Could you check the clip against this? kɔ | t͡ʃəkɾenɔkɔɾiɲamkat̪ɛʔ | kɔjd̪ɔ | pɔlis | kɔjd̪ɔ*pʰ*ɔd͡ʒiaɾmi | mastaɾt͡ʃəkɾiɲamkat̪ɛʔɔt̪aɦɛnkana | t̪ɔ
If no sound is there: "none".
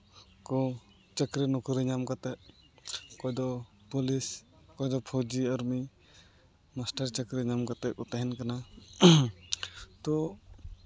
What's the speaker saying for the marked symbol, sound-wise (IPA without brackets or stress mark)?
pʰ